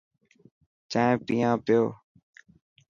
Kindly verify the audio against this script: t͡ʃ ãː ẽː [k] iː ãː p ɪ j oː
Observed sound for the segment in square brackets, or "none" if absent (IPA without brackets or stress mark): p